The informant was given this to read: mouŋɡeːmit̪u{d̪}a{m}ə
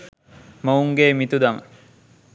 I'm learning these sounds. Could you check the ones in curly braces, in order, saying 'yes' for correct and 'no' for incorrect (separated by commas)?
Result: yes, yes